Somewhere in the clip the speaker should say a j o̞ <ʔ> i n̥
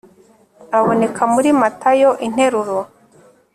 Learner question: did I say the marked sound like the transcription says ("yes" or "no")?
yes